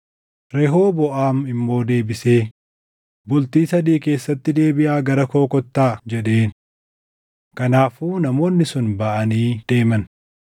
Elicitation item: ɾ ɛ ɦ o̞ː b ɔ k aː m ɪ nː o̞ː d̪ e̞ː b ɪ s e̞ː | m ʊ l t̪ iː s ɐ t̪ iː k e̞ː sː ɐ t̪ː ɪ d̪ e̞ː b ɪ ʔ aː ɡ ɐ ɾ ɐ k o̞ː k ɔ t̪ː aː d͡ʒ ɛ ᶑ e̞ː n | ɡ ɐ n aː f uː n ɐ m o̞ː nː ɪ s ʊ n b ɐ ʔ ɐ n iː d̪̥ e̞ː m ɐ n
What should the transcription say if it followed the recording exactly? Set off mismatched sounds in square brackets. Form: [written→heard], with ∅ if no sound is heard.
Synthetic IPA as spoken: ɾ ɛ ɦ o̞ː b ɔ [k→ʔ] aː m ɪ [nː→mː] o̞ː d̪ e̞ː b ɪ s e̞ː | [m→b] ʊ l t̪ iː s ɐ [t̪→d̪] iː k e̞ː sː ɐ t̪ː ɪ d̪ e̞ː b ɪ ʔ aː ɡ ɐ ɾ ɐ k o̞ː k ɔ t̪ː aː d͡ʒ ɛ ᶑ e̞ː n | [ɡ→k] ɐ n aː f uː n ɐ m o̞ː nː ɪ s ʊ n b ɐ ʔ ɐ n iː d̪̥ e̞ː m ɐ n